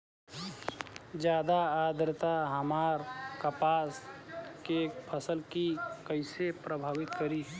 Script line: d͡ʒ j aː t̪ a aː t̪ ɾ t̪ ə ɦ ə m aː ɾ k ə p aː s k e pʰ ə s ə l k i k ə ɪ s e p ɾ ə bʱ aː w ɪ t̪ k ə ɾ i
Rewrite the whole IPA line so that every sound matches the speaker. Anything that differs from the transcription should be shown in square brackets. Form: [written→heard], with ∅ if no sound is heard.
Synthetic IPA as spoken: d͡ʒ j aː [t̪→d̪] a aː [t̪→d̪] ɾ t̪ [ə→a] ɦ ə m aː ɾ k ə p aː s k e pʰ ə s ə l k i k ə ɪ s e p ɾ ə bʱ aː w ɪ t̪ k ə ɾ i